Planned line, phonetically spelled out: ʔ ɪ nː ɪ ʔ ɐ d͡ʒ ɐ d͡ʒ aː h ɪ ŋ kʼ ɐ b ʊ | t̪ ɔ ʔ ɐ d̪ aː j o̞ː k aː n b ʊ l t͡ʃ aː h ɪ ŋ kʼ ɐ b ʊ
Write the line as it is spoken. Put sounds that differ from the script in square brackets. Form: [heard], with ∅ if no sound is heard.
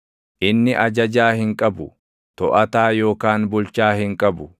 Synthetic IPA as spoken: ʔ ɪ nː ɪ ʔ ɐ d͡ʒ ɐ d͡ʒ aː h ɪ ŋ kʼ ɐ b ʊ | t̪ ɔ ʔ ɐ [t̪] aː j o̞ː k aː n b ʊ l t͡ʃ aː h ɪ ŋ kʼ ɐ b ʊ